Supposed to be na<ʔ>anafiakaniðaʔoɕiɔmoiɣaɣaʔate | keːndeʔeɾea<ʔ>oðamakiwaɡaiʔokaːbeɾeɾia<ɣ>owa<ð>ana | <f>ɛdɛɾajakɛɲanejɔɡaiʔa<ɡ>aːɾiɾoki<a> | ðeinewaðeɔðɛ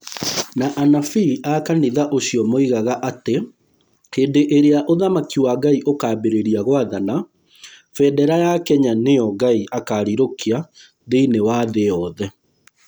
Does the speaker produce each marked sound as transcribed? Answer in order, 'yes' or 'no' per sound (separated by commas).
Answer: yes, yes, yes, yes, yes, no, yes